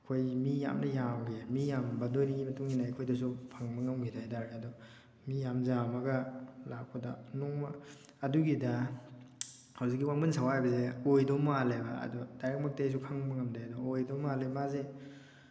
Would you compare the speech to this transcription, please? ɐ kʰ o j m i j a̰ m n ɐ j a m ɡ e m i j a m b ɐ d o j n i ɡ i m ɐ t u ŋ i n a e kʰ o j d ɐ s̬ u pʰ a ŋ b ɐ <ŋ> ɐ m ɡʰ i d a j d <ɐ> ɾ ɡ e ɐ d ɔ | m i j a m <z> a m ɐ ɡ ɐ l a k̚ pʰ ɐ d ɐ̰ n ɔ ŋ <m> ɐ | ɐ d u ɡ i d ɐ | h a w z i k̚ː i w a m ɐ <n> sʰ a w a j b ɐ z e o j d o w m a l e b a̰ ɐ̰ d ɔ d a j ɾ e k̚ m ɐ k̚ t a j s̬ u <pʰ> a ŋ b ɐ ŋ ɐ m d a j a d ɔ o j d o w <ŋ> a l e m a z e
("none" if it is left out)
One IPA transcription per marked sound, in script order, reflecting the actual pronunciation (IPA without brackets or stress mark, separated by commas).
ŋ, a, z, m, n, kʰ, m